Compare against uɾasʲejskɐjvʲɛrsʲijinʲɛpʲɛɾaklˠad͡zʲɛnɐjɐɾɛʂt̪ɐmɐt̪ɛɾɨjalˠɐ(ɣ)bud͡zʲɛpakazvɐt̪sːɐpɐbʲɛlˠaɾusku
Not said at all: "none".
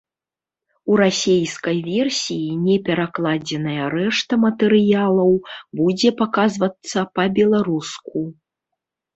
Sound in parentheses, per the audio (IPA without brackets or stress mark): w